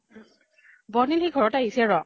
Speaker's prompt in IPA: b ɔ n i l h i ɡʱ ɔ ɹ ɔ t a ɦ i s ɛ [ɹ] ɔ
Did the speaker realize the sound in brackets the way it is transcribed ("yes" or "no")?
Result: yes